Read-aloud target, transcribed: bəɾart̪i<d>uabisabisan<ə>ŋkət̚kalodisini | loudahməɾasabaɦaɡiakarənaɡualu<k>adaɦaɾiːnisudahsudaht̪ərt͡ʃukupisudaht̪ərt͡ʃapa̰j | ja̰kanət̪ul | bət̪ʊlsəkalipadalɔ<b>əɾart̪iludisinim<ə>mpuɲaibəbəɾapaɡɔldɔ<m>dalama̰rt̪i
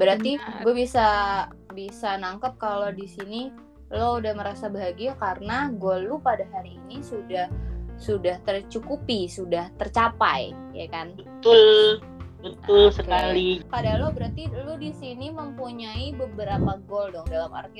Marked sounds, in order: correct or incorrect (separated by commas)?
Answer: incorrect, incorrect, incorrect, correct, correct, incorrect